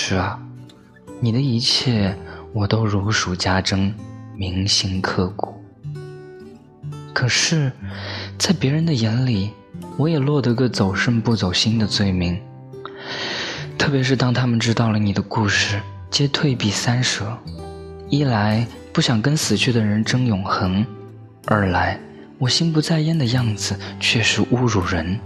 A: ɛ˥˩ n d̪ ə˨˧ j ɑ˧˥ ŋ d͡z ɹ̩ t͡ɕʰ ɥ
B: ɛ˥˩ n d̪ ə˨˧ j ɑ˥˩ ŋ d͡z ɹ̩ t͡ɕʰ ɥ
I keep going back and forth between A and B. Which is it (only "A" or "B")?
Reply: B